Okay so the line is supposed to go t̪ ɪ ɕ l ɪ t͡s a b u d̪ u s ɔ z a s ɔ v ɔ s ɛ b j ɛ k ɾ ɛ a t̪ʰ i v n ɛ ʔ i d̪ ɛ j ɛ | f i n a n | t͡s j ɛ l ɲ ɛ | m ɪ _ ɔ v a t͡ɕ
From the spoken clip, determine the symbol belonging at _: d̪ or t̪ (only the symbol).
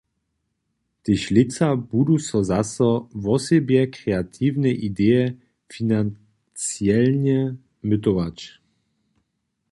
t̪